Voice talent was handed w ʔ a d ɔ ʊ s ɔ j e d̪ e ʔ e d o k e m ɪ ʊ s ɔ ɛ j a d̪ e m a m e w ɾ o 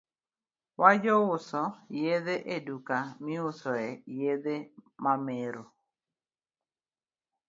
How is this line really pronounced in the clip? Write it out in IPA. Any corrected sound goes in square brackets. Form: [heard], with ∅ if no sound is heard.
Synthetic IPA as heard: w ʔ a [d͡ʒ] ɔ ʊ s ɔ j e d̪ e ʔ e d [u] k [a] m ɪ ʊ s ɔ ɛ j [e] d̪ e m a m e [∅] ɾ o